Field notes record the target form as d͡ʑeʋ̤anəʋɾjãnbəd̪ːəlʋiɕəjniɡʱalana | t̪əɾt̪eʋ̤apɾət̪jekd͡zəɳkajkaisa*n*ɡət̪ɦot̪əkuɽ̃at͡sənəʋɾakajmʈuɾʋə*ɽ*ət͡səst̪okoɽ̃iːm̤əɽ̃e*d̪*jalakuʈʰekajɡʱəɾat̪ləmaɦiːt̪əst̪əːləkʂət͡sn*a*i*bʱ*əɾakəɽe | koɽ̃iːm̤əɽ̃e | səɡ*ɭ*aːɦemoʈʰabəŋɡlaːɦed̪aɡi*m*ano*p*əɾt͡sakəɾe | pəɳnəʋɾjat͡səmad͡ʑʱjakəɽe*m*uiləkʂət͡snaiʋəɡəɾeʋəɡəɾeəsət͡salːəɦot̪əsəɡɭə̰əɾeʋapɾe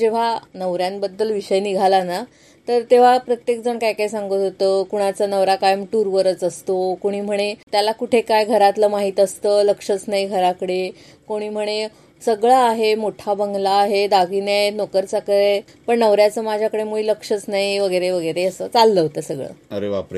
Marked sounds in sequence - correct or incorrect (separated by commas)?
incorrect, incorrect, incorrect, correct, incorrect, correct, incorrect, incorrect, correct